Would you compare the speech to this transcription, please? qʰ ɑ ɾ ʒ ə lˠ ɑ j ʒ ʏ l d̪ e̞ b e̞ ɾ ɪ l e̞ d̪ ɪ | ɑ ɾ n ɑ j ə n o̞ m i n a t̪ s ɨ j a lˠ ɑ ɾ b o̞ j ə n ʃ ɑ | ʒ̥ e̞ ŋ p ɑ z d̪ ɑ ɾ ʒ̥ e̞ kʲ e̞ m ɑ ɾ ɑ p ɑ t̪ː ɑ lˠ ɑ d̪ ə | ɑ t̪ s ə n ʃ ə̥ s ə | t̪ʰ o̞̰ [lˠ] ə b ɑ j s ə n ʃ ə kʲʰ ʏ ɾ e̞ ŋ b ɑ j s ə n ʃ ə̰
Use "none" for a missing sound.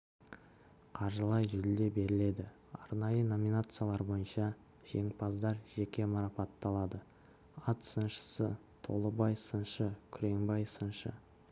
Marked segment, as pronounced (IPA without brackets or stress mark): lˠ